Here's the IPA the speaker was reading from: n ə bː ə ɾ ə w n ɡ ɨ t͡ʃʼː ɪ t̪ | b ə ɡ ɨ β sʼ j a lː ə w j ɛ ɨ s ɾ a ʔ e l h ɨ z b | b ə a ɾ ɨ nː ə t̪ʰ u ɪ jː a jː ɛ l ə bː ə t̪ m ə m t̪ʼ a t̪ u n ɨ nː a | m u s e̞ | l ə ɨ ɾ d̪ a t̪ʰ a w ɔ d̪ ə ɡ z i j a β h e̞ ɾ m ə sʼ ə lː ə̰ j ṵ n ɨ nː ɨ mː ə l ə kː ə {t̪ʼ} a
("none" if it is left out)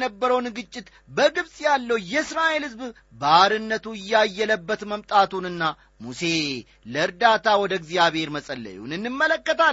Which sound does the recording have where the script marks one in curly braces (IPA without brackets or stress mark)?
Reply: t̪